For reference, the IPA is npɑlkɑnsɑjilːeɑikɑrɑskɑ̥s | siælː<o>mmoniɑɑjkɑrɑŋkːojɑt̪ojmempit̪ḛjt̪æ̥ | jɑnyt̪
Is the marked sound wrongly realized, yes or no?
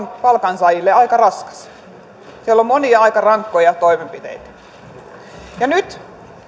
no